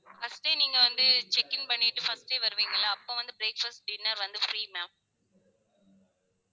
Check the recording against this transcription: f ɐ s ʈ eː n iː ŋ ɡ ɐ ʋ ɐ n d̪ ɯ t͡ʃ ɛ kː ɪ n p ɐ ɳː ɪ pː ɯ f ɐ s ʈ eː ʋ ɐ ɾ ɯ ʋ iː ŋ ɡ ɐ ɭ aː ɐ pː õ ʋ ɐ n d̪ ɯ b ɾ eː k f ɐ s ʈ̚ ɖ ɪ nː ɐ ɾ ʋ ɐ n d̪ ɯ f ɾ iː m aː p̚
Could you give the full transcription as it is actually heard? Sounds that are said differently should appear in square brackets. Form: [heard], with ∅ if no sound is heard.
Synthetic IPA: f ɐ s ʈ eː n iː ŋ ɡ ɐ ʋ ɐ n d̪ ɯ t͡ʃ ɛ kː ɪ n p ɐ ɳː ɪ [ʈː] ɯ f ɐ s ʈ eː ʋ ɐ ɾ ɯ ʋ iː ŋ ɡ ɐ ɭ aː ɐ pː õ ʋ ɐ n d̪ ɯ b ɾ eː k f ɐ s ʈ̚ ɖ ɪ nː ɐ ɾ ʋ ɐ n d̪ ɯ f ɾ iː m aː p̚